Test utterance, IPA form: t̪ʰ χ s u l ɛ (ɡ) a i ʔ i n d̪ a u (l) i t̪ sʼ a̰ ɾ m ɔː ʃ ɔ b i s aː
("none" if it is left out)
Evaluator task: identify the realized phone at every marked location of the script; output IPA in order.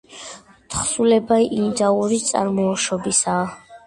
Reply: b, ɾ

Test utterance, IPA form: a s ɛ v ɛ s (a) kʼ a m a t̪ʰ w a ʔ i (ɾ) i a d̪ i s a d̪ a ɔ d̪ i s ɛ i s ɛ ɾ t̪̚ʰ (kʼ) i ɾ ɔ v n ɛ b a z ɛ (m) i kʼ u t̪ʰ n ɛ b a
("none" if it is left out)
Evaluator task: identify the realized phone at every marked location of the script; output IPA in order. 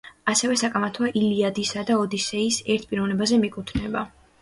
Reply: a, l, pʼ, m

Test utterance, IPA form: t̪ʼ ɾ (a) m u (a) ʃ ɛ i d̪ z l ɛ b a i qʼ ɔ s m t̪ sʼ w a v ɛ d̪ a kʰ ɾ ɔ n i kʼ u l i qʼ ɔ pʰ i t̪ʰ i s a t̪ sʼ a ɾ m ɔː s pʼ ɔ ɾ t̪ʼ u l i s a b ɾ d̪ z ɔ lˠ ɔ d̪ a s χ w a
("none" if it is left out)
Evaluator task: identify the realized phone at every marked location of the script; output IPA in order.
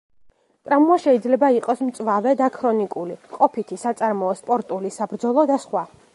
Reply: a, a

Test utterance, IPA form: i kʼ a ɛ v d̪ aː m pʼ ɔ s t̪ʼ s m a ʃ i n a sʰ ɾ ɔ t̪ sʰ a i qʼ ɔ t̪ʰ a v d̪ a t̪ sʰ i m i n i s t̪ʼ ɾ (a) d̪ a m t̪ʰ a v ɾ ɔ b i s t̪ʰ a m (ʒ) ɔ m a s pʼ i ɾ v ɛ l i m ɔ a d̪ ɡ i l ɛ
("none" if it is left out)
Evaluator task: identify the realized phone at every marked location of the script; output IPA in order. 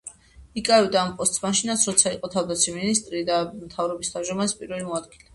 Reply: i, ʒ

